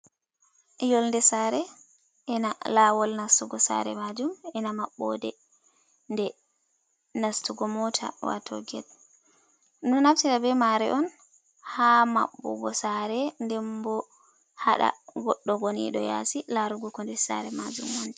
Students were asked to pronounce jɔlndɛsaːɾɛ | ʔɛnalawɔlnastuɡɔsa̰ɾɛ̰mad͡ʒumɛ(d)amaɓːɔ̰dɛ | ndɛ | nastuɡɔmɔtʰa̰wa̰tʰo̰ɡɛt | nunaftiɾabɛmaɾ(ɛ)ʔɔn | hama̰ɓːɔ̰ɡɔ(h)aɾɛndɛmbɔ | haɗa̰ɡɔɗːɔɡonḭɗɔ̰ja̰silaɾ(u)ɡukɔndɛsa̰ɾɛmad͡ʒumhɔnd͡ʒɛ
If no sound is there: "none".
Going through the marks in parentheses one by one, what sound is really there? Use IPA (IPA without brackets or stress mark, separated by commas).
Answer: n, ɛ, s, u